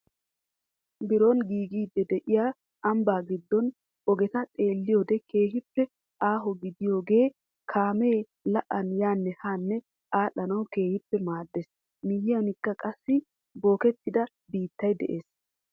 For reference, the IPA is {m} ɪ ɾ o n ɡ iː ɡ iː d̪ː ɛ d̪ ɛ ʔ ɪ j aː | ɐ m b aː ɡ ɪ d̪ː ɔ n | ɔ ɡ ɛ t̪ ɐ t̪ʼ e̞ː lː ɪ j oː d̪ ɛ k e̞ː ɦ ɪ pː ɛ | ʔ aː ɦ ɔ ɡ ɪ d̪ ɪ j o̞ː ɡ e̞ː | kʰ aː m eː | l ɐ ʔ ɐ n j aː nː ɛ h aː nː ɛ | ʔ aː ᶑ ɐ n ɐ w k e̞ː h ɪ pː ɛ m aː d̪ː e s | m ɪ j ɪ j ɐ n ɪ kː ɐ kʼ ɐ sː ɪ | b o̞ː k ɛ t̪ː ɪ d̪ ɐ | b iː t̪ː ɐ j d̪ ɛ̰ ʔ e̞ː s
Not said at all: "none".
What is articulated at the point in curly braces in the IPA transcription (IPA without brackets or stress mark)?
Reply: b